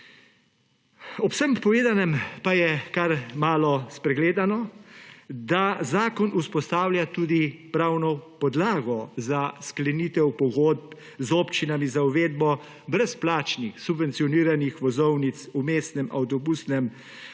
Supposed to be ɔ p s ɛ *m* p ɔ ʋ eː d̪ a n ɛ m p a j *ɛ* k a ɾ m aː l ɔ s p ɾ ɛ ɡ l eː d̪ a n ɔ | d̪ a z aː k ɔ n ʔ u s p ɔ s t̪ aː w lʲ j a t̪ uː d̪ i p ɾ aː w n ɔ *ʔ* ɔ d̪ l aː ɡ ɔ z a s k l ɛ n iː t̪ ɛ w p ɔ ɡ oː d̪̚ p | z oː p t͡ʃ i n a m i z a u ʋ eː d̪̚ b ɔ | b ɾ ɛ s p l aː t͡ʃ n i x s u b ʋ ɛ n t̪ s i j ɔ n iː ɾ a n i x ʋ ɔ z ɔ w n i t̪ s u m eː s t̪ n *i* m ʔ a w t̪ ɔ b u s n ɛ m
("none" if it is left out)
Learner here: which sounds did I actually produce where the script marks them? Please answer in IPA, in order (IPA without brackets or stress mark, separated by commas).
m, ɛ, p, ɛ